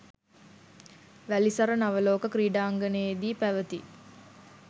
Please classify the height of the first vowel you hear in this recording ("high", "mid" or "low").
low